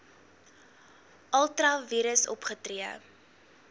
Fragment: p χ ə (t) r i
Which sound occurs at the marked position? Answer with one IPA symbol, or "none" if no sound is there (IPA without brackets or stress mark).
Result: t